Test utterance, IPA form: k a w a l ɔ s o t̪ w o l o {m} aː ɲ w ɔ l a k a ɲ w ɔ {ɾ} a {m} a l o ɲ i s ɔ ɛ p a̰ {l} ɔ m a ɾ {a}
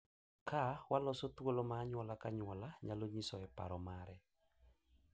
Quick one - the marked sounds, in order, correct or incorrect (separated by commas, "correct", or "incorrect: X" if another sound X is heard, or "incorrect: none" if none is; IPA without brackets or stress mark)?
correct, incorrect: l, incorrect: ɲ, incorrect: ɾ, incorrect: ɛ